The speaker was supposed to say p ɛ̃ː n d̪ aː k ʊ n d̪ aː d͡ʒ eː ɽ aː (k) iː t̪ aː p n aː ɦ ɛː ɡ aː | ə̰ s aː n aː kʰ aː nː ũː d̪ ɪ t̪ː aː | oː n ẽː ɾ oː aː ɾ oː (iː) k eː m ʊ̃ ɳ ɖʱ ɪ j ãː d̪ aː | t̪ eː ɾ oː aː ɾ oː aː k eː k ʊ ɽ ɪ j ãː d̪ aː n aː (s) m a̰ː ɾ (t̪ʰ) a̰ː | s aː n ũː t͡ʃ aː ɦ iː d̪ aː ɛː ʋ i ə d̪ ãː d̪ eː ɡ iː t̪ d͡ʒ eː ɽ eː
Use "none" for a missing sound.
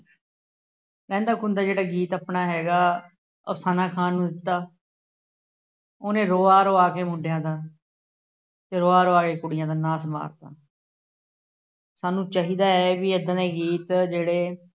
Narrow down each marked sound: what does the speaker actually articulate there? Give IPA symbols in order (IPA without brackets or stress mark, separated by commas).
ɡ, aː, s, t̪